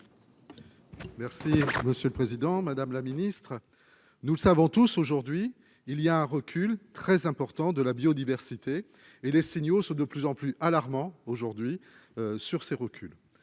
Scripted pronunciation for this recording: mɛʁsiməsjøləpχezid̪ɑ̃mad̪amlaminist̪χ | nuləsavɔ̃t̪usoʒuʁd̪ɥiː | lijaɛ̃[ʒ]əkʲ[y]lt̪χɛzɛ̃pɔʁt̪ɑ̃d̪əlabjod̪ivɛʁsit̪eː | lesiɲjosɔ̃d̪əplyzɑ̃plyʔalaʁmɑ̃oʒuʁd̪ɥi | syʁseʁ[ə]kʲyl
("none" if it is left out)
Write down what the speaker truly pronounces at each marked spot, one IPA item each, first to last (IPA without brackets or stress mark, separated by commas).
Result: ʁ, y, ə